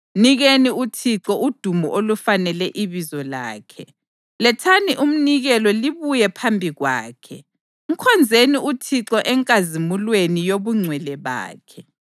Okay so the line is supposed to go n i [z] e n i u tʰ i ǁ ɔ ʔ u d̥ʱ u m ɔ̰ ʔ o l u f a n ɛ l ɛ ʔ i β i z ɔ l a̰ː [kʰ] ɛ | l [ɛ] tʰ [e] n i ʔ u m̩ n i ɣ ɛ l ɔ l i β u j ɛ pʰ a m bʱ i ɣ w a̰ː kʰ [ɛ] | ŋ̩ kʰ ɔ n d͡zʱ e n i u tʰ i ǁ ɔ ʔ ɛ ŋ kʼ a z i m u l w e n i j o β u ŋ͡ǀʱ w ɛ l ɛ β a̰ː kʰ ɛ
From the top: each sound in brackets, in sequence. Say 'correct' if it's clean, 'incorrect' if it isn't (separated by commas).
incorrect, correct, correct, incorrect, correct